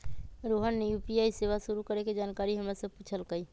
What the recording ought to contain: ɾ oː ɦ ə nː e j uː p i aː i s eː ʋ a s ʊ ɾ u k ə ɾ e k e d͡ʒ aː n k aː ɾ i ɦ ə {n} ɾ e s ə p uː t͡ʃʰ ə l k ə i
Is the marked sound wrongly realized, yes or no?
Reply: yes